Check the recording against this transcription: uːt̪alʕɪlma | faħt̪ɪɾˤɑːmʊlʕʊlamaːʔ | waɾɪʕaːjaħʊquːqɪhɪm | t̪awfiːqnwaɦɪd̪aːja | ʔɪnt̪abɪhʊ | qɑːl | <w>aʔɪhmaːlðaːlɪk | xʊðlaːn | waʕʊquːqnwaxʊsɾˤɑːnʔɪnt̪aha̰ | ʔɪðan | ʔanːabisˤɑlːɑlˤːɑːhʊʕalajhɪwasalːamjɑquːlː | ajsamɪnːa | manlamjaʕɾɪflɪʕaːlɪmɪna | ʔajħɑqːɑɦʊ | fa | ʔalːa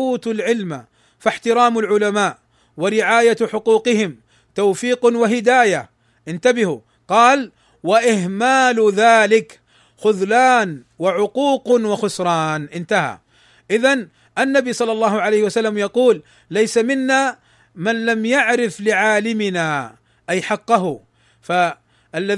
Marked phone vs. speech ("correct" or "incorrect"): correct